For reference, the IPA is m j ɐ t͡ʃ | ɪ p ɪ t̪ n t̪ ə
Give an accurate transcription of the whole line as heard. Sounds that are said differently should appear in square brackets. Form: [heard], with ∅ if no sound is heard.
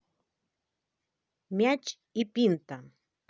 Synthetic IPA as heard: m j [a] t͡ʃ | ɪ p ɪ [∅] n t̪ [a]